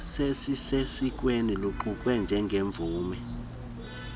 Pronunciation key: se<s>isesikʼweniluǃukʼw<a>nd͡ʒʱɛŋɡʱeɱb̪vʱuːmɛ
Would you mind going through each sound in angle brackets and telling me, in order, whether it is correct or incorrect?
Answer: correct, incorrect: ɛ

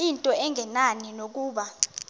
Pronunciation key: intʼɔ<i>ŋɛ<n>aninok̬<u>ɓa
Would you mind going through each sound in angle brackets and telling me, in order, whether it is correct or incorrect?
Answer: incorrect: ɛ, correct, incorrect: uː

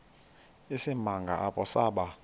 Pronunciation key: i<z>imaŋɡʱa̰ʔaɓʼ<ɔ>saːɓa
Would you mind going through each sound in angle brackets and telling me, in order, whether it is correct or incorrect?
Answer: incorrect: s, correct

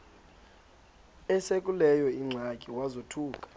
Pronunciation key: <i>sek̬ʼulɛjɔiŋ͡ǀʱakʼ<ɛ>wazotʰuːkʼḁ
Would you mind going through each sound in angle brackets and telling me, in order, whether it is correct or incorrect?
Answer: incorrect: ɛ, incorrect: i

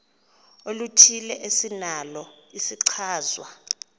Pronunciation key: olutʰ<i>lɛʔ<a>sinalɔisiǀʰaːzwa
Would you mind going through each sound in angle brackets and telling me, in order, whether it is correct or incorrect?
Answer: correct, incorrect: e

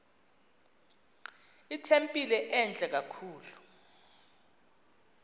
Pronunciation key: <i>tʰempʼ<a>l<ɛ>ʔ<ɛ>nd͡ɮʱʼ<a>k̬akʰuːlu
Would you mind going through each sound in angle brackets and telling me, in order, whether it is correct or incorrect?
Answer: correct, incorrect: i, correct, correct, incorrect: ɛ

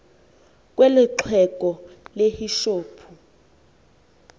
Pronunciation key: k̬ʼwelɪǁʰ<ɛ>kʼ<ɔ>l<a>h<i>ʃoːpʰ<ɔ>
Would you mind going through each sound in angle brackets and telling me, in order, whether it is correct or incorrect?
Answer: correct, correct, incorrect: e, correct, incorrect: u

